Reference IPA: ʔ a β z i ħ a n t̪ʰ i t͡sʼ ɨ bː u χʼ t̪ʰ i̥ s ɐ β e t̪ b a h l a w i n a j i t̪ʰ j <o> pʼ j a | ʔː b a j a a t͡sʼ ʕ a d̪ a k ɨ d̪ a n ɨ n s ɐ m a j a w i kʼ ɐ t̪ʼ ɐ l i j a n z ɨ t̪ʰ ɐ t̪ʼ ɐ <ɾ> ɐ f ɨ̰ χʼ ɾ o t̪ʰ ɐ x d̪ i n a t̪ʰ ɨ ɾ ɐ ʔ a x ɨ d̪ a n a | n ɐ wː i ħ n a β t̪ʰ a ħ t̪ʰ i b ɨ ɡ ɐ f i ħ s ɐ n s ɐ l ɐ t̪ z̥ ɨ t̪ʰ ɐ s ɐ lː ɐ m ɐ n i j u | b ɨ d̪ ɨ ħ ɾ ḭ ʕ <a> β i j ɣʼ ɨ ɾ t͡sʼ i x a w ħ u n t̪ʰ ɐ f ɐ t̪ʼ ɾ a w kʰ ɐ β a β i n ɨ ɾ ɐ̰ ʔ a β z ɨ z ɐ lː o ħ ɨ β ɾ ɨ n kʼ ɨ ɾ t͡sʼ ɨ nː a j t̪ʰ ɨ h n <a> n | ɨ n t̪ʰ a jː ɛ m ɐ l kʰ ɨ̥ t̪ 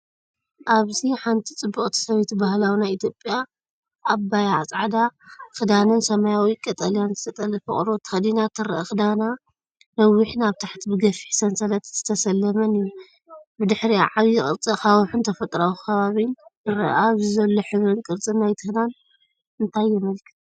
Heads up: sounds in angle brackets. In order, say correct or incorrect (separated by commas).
correct, incorrect, correct, correct